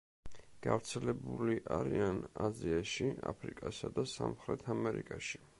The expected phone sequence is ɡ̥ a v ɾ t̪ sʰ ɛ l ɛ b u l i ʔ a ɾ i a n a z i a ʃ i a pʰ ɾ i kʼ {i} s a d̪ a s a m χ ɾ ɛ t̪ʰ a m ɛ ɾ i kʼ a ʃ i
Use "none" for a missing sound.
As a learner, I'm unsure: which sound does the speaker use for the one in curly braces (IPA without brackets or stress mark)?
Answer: a